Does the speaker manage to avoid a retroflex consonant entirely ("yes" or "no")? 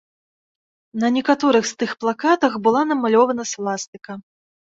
yes